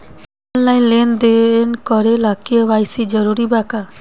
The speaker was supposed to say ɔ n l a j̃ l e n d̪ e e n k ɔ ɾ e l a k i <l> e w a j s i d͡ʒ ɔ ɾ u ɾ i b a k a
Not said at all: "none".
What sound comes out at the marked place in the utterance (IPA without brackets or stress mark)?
none